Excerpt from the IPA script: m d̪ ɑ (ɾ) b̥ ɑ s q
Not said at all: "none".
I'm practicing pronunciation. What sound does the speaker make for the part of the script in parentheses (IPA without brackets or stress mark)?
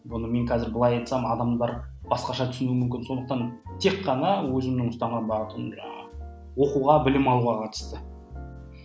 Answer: ɾ